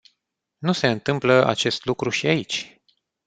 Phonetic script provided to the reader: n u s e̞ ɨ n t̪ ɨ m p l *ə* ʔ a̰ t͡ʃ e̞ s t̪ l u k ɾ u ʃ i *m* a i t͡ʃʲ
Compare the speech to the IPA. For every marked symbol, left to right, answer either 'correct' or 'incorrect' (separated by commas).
correct, incorrect